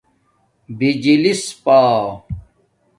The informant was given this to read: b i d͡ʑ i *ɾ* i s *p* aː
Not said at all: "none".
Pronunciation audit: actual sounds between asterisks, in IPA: l, p

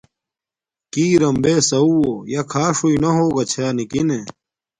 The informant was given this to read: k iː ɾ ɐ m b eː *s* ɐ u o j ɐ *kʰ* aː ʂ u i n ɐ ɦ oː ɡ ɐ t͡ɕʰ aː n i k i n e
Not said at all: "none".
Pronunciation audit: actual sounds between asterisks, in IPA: s, kʰ

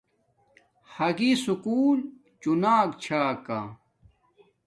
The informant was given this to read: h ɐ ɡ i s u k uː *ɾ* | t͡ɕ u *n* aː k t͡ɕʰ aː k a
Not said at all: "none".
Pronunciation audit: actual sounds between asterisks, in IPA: l, n

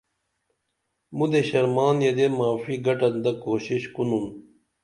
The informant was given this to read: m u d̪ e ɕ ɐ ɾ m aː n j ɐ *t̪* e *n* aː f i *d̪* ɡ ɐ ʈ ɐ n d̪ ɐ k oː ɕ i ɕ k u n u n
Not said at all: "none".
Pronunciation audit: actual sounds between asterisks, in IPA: d̪, m, none

